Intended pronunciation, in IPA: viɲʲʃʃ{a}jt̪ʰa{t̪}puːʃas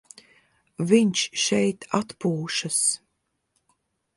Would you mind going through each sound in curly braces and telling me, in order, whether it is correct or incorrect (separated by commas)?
incorrect, correct